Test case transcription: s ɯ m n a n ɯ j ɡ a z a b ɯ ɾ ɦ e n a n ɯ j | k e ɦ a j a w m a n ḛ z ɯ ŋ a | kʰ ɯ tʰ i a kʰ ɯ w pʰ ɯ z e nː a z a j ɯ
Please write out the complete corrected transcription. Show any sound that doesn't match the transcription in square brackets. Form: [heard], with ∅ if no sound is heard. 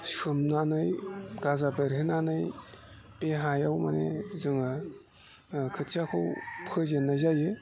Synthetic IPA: s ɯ m n a n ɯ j ɡ a z a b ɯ ɾ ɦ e n a n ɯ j | [p] e ɦ a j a w m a n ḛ z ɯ ŋ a | kʰ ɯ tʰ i a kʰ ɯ w pʰ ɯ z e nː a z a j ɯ